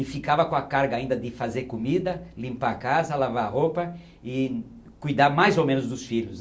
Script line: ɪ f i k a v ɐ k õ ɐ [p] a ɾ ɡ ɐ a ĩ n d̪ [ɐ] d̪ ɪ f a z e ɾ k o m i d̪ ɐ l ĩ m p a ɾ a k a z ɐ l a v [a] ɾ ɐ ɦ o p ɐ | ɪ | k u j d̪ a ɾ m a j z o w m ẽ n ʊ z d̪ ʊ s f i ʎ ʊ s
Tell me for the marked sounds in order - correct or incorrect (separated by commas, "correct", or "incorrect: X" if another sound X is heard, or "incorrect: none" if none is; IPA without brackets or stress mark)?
incorrect: k, correct, correct